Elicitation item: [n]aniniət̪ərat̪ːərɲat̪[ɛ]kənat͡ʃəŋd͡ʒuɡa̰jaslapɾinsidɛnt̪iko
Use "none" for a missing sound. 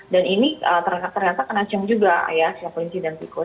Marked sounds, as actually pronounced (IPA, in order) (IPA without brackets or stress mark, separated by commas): d, a